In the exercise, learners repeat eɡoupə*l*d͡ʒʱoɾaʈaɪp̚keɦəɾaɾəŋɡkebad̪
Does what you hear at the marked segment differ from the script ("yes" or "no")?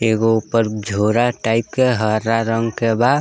yes